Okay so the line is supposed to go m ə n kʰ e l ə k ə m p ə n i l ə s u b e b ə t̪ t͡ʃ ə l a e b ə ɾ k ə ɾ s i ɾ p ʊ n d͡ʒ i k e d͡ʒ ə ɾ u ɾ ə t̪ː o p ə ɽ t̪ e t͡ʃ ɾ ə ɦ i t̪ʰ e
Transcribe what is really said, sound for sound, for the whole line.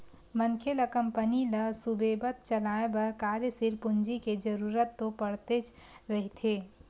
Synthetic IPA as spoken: m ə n kʰ e l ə k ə m p ə n i l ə s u b e b ə t̪ t͡ʃ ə l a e b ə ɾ k a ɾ s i ɾ p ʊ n d͡ʒ i k e d͡ʒ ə ɾ u ɾ ə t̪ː o p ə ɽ t̪ e t͡ʃ ɾ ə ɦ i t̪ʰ e